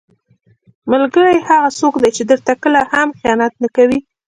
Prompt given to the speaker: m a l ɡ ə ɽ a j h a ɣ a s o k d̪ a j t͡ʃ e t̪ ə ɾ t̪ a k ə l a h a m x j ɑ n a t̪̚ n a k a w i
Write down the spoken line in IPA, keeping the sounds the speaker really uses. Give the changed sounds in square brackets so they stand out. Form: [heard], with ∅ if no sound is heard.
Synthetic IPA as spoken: m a l ɡ ə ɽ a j h a ɣ a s o k d̪ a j t͡ʃ e [d̪] ə ɾ t̪ a k ə l a h a m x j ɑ n a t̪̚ n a k a w i